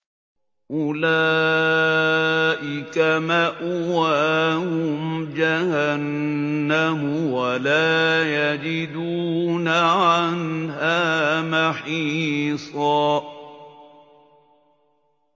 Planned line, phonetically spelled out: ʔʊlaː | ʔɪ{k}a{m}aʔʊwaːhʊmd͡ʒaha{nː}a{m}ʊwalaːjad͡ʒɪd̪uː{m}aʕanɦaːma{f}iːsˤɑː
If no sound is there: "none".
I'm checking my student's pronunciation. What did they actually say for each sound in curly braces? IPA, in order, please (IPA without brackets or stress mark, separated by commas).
k, m, nː, m, n, ħ